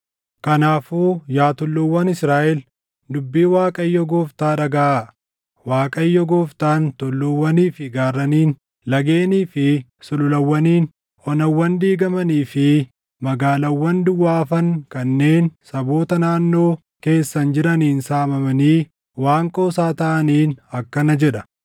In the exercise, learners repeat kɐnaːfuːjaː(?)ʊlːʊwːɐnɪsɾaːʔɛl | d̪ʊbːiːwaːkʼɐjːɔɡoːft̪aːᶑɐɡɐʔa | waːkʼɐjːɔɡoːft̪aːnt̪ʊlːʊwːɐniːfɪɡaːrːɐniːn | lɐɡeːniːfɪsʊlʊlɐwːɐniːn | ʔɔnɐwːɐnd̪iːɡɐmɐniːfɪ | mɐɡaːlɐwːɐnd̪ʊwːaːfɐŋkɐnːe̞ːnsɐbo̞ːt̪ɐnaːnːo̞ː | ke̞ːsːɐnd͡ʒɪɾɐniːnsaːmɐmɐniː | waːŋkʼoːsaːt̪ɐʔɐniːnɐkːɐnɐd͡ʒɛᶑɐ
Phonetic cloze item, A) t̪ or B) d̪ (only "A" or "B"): A